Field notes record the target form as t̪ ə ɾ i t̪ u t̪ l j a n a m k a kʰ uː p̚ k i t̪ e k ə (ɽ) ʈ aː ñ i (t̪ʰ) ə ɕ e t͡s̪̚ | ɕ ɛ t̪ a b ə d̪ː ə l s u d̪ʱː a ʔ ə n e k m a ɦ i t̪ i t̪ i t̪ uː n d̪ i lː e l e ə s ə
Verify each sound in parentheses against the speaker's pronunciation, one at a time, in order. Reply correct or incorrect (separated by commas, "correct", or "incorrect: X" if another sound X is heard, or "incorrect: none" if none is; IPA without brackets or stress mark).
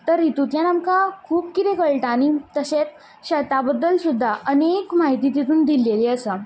incorrect: ɭ, incorrect: t̪